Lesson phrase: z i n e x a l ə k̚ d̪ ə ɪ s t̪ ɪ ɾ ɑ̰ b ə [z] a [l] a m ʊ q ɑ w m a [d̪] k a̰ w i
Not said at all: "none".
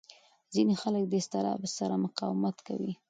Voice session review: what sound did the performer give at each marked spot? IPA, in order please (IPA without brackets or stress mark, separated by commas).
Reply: s, ɾ, t̪